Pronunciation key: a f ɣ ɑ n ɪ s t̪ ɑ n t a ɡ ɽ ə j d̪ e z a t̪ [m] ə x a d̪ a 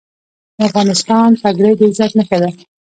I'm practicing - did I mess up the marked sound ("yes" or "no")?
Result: yes